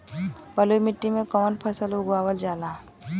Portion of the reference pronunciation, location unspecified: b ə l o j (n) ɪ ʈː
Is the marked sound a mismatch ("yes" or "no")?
yes